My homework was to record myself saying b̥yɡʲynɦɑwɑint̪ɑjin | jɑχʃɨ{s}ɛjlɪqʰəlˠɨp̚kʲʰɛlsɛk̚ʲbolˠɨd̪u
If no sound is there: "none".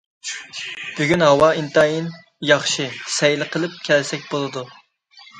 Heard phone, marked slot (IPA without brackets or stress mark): s